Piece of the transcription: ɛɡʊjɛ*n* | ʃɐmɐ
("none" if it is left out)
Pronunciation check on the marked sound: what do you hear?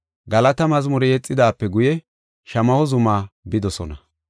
none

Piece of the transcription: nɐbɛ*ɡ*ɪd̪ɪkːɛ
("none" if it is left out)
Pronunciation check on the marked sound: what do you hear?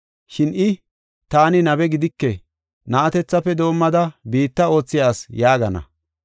ɡ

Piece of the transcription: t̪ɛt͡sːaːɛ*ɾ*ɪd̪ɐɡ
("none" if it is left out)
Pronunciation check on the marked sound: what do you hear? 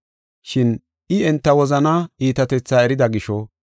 ɾ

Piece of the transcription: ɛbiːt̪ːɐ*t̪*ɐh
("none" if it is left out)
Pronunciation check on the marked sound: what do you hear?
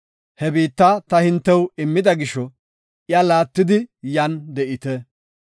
t̪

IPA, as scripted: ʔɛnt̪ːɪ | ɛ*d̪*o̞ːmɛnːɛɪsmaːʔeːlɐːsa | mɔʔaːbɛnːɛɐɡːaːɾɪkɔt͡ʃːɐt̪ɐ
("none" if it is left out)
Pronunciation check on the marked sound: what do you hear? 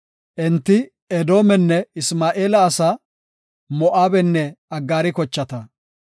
d̪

